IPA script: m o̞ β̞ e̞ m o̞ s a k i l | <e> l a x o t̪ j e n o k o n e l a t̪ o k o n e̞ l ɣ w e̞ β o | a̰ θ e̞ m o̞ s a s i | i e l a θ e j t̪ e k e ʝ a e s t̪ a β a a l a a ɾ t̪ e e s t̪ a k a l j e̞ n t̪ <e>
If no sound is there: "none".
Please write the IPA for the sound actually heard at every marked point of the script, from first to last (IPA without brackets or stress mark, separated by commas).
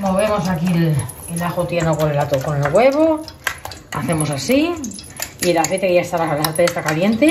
e, e